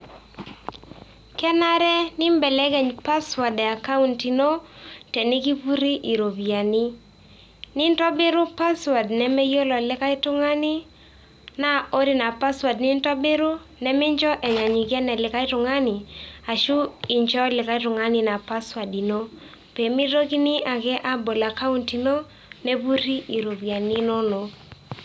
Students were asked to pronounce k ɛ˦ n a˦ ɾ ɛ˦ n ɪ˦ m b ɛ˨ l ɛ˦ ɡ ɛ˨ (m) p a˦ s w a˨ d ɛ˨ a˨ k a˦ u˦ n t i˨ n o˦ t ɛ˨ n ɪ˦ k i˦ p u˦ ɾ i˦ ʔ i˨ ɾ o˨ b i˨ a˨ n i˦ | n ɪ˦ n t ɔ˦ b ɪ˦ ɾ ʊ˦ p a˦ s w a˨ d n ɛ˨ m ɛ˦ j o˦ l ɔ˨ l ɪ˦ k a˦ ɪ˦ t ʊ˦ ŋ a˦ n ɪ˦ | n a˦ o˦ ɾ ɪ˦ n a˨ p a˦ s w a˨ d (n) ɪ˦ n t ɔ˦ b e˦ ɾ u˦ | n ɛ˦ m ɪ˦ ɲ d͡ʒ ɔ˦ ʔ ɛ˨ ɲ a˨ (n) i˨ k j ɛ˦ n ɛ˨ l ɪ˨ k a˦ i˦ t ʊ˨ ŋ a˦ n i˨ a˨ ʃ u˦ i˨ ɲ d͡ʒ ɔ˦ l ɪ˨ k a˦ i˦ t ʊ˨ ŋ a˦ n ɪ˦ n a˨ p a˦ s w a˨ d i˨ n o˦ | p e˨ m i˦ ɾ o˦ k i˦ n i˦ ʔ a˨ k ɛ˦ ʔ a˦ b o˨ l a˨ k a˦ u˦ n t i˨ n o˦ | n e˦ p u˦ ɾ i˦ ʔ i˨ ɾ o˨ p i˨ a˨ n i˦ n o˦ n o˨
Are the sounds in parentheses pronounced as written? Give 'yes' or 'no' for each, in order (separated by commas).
no, yes, no